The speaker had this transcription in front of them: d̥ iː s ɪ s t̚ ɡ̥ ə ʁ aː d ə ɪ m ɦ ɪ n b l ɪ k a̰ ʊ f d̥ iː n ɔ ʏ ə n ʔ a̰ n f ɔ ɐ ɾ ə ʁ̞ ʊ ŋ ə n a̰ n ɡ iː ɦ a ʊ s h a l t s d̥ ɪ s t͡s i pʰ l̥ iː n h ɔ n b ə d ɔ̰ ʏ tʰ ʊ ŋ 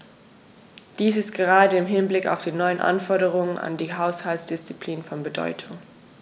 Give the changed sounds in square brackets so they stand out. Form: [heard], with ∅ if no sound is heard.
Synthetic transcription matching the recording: d̥ iː s ɪ s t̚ ɡ̥ ə ʁ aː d ə ɪ m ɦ ɪ n b l ɪ k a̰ ʊ f d̥ iː n ɔ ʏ ə n ʔ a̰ n f ɔ ɐ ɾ ə ʁ̞ ʊ ŋ ə n a̰ n [d] iː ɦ a ʊ s h a l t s d̥ ɪ s t͡s i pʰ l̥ iː n [f] ɔ n b ə d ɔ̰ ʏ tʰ ʊ ŋ